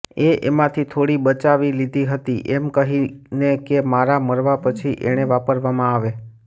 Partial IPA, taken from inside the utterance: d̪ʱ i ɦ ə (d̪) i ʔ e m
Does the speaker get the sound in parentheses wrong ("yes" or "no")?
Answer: yes